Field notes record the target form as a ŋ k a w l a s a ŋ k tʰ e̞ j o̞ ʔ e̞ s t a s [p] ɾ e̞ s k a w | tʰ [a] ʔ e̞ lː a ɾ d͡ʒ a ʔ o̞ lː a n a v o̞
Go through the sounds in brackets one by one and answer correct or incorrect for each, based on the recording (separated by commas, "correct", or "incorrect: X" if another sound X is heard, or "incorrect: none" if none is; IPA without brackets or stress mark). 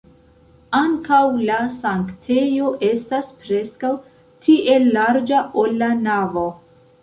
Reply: correct, incorrect: i